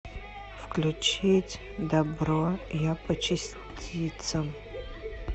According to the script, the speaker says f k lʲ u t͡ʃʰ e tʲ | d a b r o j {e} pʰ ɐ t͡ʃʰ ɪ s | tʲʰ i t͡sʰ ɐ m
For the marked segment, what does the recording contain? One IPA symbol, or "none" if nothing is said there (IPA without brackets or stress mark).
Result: a